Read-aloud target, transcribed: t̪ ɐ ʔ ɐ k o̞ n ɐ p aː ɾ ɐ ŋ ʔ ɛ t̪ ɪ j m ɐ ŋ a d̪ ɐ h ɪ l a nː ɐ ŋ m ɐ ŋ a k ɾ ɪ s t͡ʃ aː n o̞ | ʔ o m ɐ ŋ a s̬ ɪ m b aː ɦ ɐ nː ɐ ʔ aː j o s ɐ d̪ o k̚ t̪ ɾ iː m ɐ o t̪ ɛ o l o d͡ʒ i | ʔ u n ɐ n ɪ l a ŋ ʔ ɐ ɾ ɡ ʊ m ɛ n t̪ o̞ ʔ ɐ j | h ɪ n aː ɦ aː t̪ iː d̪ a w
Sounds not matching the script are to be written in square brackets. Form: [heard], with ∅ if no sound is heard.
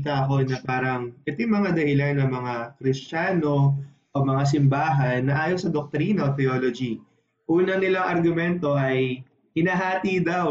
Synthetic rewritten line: t̪ ɐ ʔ ɐ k o̞ n ɐ p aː ɾ ɐ ŋ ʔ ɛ t̪ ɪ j m ɐ ŋ a d̪ ɐ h ɪ l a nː ɐ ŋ m ɐ ŋ a k ɾ ɪ s t͡ʃ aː n o̞ | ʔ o m ɐ ŋ a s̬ ɪ m b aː ɦ ɐ nː ɐ ʔ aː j o s ɐ d̪ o k̚ t̪ ɾ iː [n] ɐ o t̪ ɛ o l o d͡ʒ i | ʔ [uː] n ɐ n ɪ l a ŋ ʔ ɐ ɾ ɡ ʊ m ɛ n t̪ o̞ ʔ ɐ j | h ɪ n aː ɦ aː t̪ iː d̪ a w